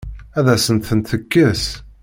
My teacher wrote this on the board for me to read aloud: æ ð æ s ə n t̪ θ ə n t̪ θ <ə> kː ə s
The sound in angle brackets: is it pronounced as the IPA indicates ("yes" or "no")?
yes